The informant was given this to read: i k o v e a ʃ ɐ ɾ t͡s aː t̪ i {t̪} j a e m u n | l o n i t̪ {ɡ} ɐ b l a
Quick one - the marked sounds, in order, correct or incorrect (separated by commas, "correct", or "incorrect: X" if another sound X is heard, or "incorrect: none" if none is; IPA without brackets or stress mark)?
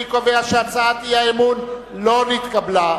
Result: incorrect: none, incorrect: k